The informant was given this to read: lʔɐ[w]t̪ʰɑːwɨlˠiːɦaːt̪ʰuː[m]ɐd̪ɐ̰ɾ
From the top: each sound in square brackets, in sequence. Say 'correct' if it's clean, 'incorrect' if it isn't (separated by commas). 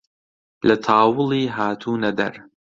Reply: incorrect, incorrect